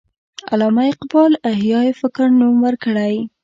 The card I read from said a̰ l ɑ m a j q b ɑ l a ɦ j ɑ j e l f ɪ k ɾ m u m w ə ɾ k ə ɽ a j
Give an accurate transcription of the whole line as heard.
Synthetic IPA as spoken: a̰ l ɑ m a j q b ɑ l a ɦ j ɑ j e f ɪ k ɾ n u m w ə ɾ k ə ɽ a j